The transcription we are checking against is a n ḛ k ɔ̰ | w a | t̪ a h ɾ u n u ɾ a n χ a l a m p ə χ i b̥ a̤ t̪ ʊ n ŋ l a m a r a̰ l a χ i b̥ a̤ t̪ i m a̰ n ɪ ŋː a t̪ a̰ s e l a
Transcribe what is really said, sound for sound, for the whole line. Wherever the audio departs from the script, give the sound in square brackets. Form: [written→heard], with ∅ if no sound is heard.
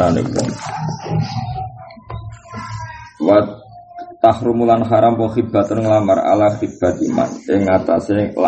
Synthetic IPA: a n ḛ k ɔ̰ | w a | t̪ a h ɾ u [n→m] u [ɾ→l] a n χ a [l→ɾ] a m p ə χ i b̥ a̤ t̪ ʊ n ŋ l a m a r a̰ l a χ i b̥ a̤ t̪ i m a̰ n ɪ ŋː a t̪ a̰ s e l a